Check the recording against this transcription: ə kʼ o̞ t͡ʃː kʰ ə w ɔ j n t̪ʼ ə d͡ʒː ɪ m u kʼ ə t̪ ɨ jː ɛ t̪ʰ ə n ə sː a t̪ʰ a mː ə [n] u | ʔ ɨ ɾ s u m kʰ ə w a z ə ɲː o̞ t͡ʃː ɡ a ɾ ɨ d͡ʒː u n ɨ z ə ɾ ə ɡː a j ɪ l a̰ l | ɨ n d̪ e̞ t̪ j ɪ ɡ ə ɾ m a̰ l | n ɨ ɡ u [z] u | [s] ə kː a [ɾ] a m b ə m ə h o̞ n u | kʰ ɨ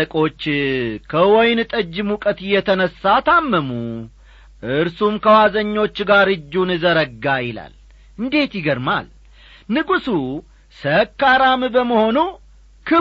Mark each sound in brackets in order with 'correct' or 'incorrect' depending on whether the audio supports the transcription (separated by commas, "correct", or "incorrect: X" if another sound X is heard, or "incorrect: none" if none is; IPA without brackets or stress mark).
incorrect: m, incorrect: s, correct, correct